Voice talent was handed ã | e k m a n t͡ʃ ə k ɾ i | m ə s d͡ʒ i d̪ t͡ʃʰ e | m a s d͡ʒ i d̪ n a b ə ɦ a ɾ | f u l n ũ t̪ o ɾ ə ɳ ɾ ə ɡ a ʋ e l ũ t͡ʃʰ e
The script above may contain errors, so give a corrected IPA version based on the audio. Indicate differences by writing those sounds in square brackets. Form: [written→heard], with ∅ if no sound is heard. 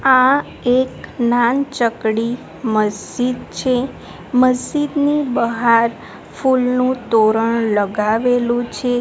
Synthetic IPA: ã | e k [m→n] a n t͡ʃ ə k [ɾ→ɽ] i | m ə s d͡ʒ i d̪ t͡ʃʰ e | m [a→ə] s d͡ʒ i d̪ n [a→i] b ə ɦ a ɾ | f u l n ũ t̪ o ɾ ə ɳ [ɾ→l] ə ɡ a ʋ e l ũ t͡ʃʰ e